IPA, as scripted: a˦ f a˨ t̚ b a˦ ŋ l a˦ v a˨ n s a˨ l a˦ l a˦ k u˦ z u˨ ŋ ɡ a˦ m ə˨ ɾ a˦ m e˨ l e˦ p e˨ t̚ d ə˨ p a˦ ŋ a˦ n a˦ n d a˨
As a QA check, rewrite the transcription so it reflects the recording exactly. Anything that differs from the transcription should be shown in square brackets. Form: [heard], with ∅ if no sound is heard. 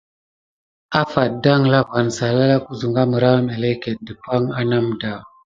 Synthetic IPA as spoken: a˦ f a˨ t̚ [d] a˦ ŋ l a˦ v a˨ n s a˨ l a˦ l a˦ k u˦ z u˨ ŋ ɡ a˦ m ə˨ ɾ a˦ m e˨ l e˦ [k] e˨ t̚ d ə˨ p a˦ ŋ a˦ n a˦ [m] d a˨